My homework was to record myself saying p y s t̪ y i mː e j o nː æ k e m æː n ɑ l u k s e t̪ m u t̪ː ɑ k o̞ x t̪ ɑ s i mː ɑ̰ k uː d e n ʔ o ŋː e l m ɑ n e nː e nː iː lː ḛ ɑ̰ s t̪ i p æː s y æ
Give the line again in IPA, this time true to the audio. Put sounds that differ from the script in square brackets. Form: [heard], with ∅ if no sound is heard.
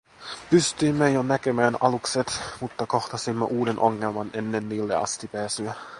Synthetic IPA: p y s t̪ y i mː e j o [n] æ k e m æː n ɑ l u k s e t̪ m u t̪ː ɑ k o̞ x t̪ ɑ s i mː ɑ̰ [ʔ] uː d e n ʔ o ŋː e l m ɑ n e nː e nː iː lː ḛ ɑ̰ s t̪ i p æː s y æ